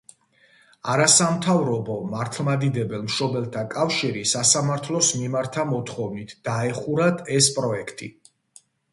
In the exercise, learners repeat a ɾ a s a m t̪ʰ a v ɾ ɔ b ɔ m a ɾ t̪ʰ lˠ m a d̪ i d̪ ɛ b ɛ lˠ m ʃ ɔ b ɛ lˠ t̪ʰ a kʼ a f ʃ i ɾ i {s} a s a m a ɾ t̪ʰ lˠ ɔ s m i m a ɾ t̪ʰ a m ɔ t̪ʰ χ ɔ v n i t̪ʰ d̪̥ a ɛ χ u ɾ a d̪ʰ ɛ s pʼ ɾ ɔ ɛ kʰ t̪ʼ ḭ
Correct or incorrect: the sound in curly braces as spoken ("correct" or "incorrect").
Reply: correct